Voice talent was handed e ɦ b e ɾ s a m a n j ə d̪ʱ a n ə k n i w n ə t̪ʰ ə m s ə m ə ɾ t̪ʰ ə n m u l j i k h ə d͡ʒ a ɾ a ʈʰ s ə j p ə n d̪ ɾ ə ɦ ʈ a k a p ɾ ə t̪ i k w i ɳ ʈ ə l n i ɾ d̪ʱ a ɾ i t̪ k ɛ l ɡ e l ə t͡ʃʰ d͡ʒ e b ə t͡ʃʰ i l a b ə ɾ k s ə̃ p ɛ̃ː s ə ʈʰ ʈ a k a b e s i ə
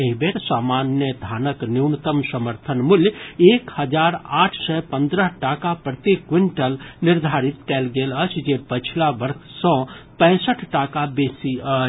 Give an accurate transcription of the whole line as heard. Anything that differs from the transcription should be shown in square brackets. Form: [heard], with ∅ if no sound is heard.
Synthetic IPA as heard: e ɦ b e ɾ s a m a n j ə d̪ʱ a n ə k n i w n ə [t̪] ə m s ə m ə ɾ t̪ʰ ə n m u l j [e] k h ə d͡ʒ a ɾ a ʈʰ s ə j p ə n d̪ ɾ ə ɦ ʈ a k a p ɾ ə t̪ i k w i ɳ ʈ ə l n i ɾ d̪ʱ a ɾ i t̪ k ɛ l ɡ e l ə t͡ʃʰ d͡ʒ e [p] ə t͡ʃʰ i l a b ə ɾ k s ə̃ p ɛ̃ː s ə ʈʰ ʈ a k a b e s i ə

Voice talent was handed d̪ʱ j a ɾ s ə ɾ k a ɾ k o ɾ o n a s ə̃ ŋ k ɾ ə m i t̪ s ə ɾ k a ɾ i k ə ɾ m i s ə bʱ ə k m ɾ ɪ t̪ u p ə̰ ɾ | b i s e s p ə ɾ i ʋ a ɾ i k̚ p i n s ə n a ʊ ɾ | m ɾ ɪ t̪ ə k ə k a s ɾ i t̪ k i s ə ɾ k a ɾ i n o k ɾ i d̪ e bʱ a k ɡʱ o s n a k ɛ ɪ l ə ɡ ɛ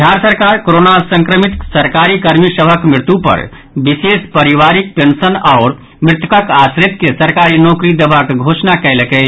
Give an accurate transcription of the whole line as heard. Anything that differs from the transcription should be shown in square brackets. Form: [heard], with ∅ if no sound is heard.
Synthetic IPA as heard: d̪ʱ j a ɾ s ə ɾ k a ɾ k o ɾ o n a s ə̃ ŋ k ɾ ə m i t̪ s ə ɾ k a ɾ i k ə ɾ m i s ə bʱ ə k m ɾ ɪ t̪ u p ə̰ ɾ | b i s e s p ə ɾ i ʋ a ɾ i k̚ p [e] n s ə n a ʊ ɾ | m ɾ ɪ t̪ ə k ə k a s ɾ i t̪ k [e] s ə ɾ k a ɾ i n o k ɾ i d̪ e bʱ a k ɡʱ o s n a k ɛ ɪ l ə [k] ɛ

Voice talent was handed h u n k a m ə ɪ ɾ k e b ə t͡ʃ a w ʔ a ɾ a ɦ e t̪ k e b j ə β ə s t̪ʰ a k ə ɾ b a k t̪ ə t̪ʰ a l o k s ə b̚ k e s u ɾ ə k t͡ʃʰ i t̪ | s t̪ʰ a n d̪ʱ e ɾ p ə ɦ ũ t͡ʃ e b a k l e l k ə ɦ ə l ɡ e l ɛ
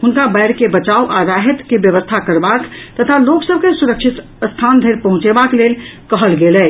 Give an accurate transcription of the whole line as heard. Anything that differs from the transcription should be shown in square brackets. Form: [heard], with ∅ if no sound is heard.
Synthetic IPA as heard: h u n k a [b] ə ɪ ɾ k e b ə t͡ʃ a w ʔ a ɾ a ɦ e t̪ k e b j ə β ə s t̪ʰ a k ə ɾ b a k t̪ ə t̪ʰ a l o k s ə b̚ k e s u ɾ ə k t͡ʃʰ i t̪ | s t̪ʰ a n d̪ʱ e ɾ p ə ɦ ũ t͡ʃ e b a k l e l k ə ɦ ə l ɡ e l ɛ

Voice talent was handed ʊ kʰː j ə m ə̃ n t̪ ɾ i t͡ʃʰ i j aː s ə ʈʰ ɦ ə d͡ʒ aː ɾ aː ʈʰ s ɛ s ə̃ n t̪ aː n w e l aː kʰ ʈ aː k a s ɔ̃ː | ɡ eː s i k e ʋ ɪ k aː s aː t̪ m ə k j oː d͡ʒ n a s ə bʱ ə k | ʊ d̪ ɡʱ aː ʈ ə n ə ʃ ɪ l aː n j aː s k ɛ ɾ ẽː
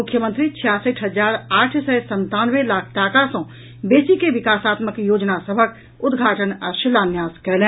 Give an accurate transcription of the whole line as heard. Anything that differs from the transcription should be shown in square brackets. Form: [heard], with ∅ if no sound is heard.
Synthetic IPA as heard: ʊ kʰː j ə m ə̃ n t̪ ɾ i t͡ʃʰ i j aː s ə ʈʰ ɦ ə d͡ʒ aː ɾ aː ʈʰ s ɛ s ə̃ n t̪ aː n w e l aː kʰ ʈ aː k a s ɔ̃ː | [b] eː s i k e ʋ ɪ k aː s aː t̪ m ə k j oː d͡ʒ n a s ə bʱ ə k | ʊ d̪ ɡʱ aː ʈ ə n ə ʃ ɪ l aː n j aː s k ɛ [l] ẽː

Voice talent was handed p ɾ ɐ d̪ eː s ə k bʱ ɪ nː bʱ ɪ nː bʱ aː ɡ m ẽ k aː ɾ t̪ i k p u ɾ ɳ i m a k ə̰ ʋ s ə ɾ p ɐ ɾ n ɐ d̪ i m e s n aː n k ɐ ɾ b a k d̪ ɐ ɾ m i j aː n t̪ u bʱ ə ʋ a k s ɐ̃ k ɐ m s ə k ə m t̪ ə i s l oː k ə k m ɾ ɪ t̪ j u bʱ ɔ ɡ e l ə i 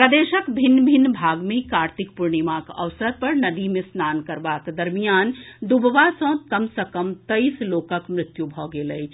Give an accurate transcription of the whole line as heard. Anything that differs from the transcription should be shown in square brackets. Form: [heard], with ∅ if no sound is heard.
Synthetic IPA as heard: p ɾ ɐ d̪ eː [ʃ] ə k bʱ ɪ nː bʱ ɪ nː bʱ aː ɡ m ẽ k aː ɾ t̪ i k p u ɾ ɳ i m a k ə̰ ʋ s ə ɾ p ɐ ɾ n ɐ d̪ i m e s n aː n k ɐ ɾ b a k d̪ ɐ ɾ m i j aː n [d̪] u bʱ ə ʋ a [∅] s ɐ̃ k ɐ m s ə k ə m t̪ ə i s l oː k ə k m ɾ ɪ t̪ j u bʱ ɔ ɡ e l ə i

